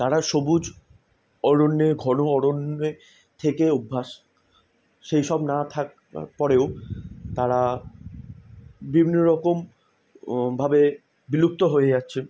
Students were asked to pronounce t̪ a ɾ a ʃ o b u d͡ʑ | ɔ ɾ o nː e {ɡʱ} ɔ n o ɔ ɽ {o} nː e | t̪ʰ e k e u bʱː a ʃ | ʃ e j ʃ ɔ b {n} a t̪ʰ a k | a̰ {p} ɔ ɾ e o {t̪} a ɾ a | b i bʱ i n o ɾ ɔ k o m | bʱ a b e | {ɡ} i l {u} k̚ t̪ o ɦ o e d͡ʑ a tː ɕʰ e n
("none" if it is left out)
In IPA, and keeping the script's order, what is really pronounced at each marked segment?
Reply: ɡʱ, o, n, p, t̪, b, u

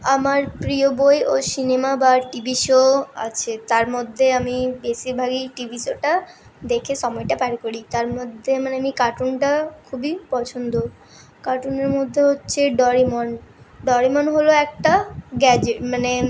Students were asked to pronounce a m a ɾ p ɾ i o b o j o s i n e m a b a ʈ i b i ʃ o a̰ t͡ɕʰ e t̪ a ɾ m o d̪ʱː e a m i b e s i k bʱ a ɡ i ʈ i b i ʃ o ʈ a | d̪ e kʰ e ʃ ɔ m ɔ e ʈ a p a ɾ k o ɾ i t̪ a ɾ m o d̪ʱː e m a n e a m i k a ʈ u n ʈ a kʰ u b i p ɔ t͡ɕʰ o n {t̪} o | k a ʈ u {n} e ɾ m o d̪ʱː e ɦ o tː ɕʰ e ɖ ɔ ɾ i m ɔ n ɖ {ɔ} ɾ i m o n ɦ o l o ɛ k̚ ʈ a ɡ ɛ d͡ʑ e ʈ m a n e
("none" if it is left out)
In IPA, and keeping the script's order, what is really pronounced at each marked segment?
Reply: d̪, n, ɔ

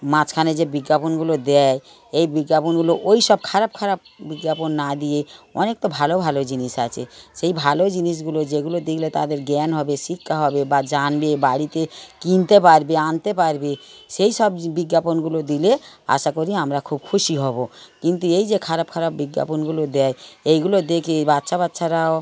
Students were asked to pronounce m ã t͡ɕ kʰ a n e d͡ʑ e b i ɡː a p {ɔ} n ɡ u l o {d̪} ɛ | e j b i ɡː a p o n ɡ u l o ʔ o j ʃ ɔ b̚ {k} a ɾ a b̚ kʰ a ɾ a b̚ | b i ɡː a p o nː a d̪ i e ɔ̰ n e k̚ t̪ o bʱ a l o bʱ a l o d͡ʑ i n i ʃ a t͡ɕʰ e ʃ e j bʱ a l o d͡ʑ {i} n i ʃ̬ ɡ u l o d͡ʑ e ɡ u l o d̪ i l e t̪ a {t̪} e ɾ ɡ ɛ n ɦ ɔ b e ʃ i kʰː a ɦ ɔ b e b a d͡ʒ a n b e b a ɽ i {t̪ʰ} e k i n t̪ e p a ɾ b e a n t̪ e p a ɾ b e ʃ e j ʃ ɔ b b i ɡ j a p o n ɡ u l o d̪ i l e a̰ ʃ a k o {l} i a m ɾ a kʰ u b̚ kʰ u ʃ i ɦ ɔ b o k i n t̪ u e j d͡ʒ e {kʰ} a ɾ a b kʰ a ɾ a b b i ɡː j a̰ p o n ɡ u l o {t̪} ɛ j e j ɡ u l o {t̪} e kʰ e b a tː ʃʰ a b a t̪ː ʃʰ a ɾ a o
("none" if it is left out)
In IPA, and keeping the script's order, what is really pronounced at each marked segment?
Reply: o, d̪, kʰ, i, d̪, t̪, ɾ, kʰ, d̪, d̪

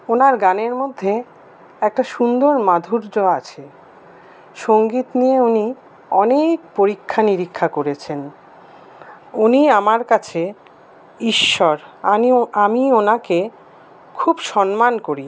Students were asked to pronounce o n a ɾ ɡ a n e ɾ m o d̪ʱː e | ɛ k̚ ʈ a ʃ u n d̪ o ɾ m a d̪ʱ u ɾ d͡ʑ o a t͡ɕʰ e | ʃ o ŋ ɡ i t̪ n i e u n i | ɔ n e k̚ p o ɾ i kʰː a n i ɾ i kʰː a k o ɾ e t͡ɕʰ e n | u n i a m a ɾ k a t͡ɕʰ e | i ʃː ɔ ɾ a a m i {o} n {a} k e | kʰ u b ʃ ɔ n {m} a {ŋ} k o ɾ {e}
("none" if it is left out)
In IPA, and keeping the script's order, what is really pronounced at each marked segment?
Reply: o, a, m, n, i

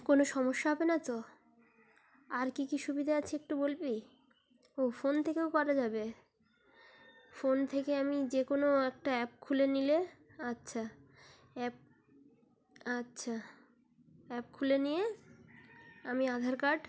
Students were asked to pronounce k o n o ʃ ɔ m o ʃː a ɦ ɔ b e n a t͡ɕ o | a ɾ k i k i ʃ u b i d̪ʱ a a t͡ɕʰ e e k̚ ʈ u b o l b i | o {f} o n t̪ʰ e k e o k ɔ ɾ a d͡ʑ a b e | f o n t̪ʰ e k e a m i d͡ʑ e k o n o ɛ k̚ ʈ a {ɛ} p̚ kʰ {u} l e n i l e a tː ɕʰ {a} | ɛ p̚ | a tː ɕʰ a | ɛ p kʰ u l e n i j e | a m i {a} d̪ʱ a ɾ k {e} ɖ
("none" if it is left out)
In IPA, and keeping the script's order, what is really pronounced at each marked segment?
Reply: f, ɛ, u, a, a, a

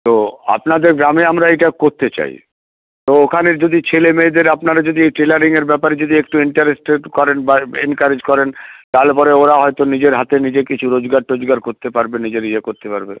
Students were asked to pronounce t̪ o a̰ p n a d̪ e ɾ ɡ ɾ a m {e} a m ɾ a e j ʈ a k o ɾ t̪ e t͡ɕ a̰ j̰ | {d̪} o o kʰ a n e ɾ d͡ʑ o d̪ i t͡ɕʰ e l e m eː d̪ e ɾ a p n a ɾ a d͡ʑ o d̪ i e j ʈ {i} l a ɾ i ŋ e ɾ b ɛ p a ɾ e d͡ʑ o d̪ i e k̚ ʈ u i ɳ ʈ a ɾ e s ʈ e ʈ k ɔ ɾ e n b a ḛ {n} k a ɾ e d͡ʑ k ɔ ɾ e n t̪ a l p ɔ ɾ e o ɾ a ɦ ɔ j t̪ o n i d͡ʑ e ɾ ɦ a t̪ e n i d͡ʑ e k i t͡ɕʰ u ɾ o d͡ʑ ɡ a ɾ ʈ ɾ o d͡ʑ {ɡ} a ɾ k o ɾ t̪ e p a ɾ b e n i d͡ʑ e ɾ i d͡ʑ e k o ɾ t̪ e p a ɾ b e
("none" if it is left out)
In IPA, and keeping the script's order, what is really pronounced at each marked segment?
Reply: e, t̪, e, n, ɡ

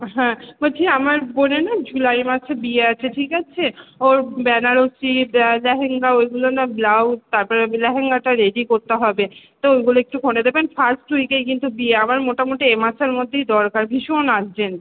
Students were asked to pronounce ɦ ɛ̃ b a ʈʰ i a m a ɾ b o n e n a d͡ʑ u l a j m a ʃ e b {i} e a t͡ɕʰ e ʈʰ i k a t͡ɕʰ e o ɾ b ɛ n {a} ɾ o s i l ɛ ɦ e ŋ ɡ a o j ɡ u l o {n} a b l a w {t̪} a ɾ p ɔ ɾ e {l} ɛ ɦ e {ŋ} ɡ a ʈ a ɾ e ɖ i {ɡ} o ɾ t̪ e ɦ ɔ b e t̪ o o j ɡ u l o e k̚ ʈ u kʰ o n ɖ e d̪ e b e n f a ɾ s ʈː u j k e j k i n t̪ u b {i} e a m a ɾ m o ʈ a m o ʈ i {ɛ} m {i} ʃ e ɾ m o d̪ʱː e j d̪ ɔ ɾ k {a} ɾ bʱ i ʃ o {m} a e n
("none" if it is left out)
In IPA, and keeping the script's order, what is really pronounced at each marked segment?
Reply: i, a, n, t̪, l, ŋ, k, i, e, a, a, n

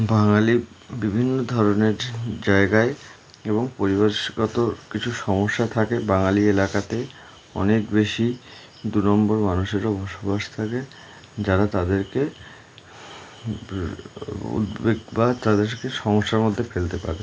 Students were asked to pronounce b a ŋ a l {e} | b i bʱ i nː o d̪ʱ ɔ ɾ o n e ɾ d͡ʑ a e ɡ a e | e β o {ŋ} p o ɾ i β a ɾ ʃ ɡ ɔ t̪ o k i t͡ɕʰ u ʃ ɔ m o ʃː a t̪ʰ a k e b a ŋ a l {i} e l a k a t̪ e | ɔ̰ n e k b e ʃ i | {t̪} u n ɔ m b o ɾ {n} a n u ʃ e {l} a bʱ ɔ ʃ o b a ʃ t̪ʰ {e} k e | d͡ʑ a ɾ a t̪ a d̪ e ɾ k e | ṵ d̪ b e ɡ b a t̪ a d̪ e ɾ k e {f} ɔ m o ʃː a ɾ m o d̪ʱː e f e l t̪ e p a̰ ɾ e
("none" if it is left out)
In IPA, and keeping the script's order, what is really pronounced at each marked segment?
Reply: i, ŋ, i, d̪, m, ɾ, a, ʃ

